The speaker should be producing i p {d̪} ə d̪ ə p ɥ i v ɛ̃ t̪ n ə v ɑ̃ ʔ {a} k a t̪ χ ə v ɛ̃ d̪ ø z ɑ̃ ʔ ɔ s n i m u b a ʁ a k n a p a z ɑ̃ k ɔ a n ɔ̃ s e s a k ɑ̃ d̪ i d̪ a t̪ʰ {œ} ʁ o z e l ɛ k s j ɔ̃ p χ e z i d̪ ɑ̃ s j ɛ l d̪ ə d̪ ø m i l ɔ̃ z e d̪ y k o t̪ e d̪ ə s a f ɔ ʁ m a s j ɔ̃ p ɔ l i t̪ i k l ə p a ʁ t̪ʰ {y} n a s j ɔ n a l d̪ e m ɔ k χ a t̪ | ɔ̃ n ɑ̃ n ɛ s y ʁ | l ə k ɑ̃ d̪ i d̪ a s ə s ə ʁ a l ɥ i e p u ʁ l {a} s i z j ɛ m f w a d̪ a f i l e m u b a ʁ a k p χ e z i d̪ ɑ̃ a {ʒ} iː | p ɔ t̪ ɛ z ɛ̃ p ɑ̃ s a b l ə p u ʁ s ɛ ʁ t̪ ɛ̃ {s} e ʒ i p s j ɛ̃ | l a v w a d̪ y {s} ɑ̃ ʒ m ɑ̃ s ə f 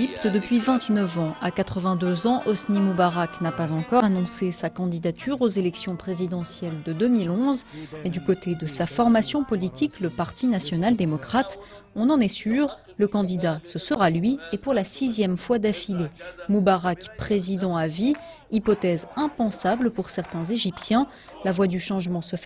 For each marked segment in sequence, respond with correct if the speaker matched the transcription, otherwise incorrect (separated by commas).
incorrect, correct, incorrect, incorrect, correct, incorrect, incorrect, incorrect